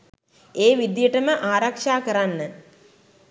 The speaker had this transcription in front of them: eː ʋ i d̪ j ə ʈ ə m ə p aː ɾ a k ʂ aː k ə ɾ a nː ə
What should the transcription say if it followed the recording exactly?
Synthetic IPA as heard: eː ʋ i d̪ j ə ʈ ə m ə ʔ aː ɾ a k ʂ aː k ə ɾ a nː ə

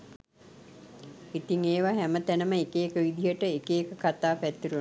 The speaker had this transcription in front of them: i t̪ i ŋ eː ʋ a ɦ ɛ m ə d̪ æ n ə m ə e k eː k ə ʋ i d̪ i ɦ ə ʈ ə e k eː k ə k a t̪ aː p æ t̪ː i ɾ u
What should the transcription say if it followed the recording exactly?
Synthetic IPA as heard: i t̪ i ŋ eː ʋ a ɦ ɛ m ə t̪ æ n ə m ə e k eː k ə ʋ i d̪ i ɦ ə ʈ ə e k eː k ə k a t̪ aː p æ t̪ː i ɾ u

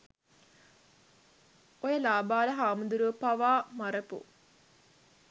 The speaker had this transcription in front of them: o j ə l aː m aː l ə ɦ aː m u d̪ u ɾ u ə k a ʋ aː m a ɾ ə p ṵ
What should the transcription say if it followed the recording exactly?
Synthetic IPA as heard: o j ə l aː b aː l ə ɦ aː m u d̪ u ɾ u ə p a ʋ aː m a ɾ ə p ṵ

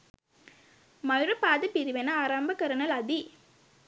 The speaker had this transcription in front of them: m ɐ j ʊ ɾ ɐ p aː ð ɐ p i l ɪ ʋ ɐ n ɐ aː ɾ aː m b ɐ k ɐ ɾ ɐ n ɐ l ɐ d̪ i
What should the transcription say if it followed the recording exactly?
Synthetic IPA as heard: m ɐ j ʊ ɾ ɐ p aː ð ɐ p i ɾ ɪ ʋ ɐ n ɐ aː ɾ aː m b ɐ k ɐ ɾ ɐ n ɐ l ɐ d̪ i

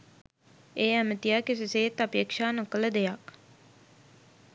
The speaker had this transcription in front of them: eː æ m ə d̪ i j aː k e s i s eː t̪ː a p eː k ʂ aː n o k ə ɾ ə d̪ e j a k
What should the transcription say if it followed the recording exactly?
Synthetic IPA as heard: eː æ m ə t̪ i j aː k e s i s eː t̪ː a p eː k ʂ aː n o k ə l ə d̪ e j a k

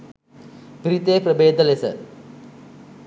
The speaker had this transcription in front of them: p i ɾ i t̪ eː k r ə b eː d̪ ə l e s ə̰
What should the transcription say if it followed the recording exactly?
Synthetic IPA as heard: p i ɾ i t̪ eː p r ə b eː d̪ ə l e s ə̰

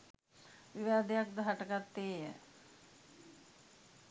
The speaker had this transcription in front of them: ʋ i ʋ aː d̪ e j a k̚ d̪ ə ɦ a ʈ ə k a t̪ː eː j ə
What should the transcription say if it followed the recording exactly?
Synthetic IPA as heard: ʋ i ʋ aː d̪ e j a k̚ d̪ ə ɦ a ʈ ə k a t̪ː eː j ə

